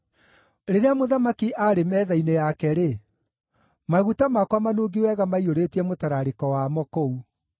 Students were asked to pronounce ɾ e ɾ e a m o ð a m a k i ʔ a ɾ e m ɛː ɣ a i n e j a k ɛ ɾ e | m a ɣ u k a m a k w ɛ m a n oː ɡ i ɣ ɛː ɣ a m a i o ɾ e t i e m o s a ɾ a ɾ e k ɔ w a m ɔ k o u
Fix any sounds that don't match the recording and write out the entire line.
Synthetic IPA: ɾ e ɾ e a m o ð a m a k i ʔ a ɾ e m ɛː ð a i n e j a k ɛ ɾ e | m a ɣ u t a m a k w a m a n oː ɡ i w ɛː ɣ a m a i o ɾ e t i ɛ m o t a ɾ a ɾ e k ɔ w a m ɔ k o u

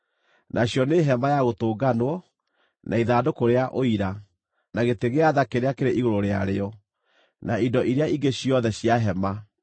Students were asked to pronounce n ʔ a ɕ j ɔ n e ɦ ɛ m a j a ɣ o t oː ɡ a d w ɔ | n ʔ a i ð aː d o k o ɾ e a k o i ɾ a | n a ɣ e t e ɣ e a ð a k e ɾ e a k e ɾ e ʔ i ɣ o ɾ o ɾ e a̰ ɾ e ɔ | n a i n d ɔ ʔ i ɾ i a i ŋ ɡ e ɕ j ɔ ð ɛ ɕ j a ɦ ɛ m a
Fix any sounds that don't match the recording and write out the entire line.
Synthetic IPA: n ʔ a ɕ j ɔ n e ɦ ɛ m a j a ɣ o t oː ɡ a n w ɔ | n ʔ a i ð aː d o k o ɾ e a ʔ o i ɾ a | n a ɣ e t e ɣ e a ð a k e ɾ e a k e ɾ e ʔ i ɣ o ɾ o ɾ e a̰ ɾ e ɔ | n a i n d ɔ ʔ i ɾ e a i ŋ ɡ e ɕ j ɔ ð ɛ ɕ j a ɦ ɛ m a

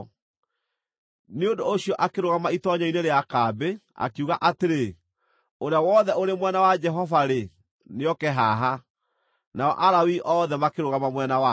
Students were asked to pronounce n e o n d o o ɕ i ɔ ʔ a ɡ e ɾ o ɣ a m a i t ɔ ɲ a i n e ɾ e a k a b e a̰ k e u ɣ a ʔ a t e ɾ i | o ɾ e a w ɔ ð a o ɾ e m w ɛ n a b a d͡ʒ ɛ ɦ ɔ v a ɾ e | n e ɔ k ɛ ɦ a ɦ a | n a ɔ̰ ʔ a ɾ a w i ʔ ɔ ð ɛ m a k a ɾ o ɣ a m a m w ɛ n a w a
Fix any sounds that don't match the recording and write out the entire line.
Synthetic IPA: n e o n d o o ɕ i ɔ ʔ a k e ɾ o ɣ a m a i t ɔ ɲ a i n e ɾ e a k a b e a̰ k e u ɣ a ʔ a t e ɾ e | o ɾ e a w ɔ ð ɛ o ɾ e m w ɛ n a w a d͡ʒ ɛ ɦ ɔ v a ɾ e | n e ɔ k ɛ ɦ a ɦ a | n a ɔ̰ ʔ a ɾ a w i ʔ ɔ ð ɛ m a k e ɾ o ɣ a m a m w ɛ n a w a

